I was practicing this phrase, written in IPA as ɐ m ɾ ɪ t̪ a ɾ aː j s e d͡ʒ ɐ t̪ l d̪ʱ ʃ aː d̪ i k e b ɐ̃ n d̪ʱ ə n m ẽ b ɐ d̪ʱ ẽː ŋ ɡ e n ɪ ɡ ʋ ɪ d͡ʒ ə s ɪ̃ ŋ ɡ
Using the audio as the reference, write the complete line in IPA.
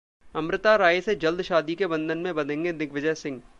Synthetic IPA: ɐ m ɾ ɪ t̪ a ɾ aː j s e d͡ʒ ɐ l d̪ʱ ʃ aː d̪ i k e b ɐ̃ n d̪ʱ ə n m ẽ b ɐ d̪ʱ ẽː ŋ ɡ e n ɪ ɡ ʋ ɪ d͡ʒ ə s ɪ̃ ŋ ɡ

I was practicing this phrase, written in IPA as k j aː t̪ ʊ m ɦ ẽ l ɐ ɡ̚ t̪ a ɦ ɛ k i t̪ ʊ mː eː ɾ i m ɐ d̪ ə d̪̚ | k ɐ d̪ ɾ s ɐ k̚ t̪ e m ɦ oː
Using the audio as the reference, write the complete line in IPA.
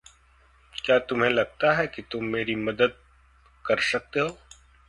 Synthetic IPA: k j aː t̪ ʊ m ɦ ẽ l ɐ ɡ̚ t̪ a ɦ ɛ k i t̪ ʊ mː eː ɾ i m ɐ d̪ ə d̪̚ | k ɐ ɾ s ɐ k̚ t̪ e ɦ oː

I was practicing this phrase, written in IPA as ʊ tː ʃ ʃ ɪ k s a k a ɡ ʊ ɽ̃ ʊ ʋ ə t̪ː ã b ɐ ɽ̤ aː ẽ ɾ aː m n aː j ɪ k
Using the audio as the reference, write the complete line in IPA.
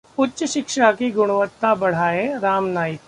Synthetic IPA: ʊ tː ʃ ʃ ɪ k ʃ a k i ɡ ʊ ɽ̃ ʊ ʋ ə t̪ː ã b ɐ ɽ̤ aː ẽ ɾ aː m n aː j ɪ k

